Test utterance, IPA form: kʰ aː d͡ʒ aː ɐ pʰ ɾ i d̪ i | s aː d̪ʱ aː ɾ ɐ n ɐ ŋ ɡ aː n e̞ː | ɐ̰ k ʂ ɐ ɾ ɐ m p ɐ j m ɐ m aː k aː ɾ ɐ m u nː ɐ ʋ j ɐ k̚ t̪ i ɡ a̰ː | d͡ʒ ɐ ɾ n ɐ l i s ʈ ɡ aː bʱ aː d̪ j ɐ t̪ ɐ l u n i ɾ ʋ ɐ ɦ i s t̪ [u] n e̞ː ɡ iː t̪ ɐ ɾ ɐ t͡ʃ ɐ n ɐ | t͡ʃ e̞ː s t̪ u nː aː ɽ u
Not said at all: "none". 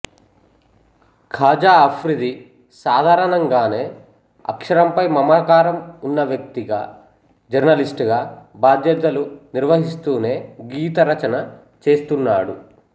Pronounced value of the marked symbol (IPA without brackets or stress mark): uː